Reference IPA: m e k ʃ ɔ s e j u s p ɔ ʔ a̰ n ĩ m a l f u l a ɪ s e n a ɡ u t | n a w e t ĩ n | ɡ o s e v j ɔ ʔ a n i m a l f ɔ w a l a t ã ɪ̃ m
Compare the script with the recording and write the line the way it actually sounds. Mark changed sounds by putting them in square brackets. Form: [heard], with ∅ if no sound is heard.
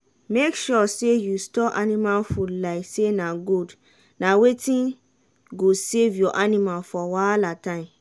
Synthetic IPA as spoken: m e k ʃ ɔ s e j u s [t] ɔ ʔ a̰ n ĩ m a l f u l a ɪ s e n a ɡ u [d] | n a w e t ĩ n | ɡ o s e v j ɔ ʔ a n i m a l f ɔ w a l a t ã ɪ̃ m

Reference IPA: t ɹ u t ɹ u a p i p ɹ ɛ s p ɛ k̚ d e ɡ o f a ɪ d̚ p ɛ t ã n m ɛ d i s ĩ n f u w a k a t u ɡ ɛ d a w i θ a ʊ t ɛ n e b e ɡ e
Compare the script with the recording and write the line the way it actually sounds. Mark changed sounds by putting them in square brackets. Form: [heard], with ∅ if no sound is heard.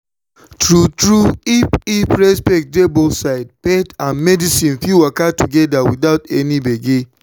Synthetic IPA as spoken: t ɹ u t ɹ u [i] p i p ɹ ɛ s p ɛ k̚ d e [b] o [s] a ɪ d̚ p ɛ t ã n m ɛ d i s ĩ n f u w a k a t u ɡ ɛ d a w i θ a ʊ t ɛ n [i] b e ɡ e

